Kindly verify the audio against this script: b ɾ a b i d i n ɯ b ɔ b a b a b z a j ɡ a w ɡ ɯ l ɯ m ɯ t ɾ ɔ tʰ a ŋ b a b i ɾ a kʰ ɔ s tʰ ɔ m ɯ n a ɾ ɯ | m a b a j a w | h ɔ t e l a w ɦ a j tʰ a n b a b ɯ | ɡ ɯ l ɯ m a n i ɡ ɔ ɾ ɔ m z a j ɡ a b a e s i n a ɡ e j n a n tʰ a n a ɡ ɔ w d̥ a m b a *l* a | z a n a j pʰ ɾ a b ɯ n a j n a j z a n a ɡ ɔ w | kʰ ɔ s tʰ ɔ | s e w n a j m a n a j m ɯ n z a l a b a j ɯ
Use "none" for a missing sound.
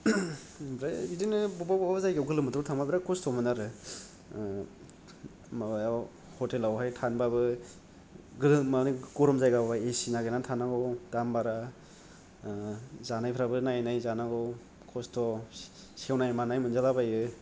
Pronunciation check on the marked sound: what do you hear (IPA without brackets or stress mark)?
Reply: ɾ